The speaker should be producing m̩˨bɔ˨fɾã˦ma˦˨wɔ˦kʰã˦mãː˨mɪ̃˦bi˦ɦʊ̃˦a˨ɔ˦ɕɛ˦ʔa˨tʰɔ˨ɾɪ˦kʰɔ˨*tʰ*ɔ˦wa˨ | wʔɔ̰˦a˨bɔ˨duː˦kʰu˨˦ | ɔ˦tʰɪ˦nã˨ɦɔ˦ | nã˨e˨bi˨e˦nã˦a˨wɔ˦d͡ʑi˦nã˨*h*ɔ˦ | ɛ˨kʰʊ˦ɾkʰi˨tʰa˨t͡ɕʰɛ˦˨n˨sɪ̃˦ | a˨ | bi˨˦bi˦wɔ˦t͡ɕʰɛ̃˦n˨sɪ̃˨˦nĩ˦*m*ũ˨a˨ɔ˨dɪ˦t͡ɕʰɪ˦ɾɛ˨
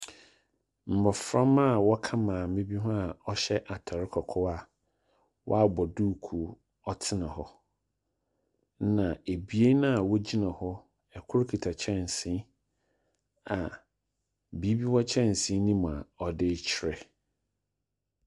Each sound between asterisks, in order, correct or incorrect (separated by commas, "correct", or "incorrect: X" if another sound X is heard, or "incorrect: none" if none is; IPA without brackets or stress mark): incorrect: kʰ, correct, correct